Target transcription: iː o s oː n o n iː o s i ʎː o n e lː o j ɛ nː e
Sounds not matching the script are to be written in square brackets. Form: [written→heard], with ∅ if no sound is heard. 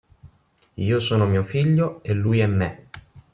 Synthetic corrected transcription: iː o s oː n o [n→m] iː o [s→f] i ʎː o [n→∅] e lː [o→u] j ɛ [nː→mː] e